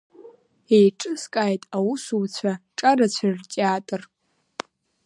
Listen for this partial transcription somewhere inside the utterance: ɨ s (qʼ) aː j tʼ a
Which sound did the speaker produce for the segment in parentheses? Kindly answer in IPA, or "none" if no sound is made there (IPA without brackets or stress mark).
kʼ